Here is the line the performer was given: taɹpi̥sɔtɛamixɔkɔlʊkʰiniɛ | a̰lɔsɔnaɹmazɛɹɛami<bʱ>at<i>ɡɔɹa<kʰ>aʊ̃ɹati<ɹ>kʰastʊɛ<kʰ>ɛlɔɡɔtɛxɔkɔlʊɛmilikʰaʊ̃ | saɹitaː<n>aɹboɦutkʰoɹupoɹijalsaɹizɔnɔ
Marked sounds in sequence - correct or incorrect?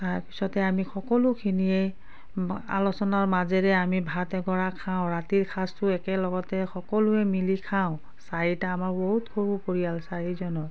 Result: correct, incorrect, correct, correct, incorrect, incorrect

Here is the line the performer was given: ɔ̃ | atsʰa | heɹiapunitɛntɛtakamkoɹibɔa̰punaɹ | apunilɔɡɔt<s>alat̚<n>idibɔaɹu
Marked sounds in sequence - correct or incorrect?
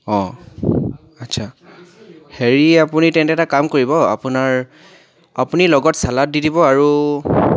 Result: correct, incorrect

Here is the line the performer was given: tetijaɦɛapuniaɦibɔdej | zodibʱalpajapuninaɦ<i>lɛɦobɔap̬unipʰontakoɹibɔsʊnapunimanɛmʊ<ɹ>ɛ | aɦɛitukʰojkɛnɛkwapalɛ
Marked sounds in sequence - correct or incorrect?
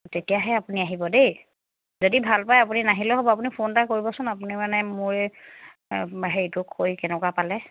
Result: correct, correct

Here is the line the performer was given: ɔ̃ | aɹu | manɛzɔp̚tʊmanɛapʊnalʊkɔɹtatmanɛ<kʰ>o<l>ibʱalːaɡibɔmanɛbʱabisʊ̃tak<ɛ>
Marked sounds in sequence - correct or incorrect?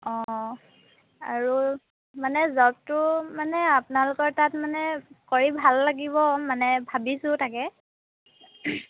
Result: incorrect, incorrect, correct

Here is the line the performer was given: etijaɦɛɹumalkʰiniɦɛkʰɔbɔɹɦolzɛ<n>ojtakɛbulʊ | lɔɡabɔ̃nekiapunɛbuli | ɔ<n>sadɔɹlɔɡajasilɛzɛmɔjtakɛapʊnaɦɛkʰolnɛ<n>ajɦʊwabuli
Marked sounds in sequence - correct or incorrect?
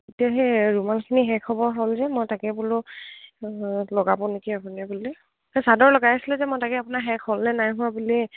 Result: incorrect, incorrect, correct

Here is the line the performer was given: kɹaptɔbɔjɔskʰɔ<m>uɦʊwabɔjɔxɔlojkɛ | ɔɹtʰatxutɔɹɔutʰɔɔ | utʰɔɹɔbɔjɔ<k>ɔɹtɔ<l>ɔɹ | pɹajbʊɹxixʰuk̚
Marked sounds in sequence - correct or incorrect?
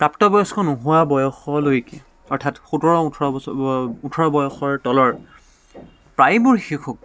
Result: incorrect, incorrect, correct

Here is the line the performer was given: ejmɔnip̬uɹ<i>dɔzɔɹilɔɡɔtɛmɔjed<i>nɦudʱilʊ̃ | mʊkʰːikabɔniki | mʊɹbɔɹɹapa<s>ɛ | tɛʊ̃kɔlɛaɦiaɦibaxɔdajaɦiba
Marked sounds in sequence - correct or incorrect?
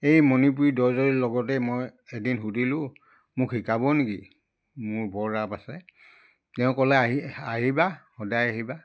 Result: correct, correct, correct

